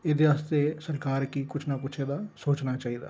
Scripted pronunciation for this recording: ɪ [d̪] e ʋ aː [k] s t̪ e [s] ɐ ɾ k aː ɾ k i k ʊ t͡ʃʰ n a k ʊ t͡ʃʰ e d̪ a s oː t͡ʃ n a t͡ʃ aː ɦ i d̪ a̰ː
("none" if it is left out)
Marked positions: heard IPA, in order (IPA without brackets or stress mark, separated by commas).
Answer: d̪, none, s